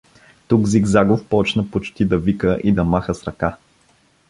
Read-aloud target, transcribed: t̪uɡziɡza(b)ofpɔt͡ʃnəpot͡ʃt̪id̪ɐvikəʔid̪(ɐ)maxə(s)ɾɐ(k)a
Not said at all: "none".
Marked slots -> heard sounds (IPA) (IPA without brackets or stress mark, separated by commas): ɡ, ɐ, s, k